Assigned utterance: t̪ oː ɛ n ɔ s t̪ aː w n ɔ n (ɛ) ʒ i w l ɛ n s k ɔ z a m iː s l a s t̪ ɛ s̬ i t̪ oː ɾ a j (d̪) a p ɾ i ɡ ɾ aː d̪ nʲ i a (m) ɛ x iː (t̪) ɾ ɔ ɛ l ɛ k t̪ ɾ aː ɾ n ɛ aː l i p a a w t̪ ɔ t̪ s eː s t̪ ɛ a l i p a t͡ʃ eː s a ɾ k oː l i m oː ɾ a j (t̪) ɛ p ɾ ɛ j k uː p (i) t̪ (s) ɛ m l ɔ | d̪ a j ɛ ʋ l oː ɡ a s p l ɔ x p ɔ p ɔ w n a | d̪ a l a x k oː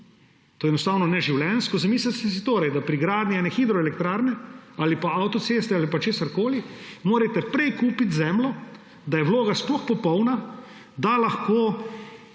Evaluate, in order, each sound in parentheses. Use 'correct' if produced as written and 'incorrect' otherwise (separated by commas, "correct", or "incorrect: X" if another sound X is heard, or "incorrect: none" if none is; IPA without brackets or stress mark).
correct, correct, incorrect: n, incorrect: d̪, correct, correct, incorrect: z